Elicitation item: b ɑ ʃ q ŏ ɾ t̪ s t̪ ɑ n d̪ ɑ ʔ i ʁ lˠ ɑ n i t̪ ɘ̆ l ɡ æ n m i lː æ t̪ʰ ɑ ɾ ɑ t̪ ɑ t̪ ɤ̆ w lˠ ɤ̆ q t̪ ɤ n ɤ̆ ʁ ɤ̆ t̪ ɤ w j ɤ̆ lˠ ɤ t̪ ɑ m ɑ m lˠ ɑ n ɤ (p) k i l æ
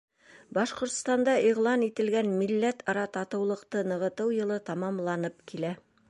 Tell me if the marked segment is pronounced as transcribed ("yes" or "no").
yes